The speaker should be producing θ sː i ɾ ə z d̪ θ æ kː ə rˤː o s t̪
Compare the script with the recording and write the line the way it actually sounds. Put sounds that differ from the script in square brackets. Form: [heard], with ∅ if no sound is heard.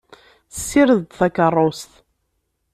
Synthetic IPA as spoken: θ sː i ɾ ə [ð] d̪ θ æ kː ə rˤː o s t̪